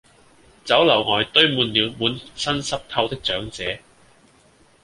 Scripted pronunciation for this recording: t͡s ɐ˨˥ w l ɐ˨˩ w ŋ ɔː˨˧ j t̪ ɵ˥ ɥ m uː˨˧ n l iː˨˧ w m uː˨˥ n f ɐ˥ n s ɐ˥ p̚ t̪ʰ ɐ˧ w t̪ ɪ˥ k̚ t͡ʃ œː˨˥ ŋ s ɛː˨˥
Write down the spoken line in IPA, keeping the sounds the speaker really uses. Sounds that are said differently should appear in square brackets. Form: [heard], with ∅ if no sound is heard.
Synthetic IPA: t͡s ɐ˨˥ w l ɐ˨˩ w ŋ ɔː˨˧ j t̪ ɵ˥ ɥ m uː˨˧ n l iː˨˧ w m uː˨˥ n [s] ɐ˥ n s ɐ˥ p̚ t̪ʰ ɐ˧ w t̪ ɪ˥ k̚ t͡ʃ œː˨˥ ŋ [t͡s] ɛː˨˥